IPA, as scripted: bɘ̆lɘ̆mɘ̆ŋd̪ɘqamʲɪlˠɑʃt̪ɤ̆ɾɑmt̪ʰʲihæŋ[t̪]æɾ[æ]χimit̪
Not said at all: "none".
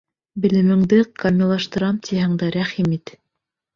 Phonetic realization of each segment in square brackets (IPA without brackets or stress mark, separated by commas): d̪, æ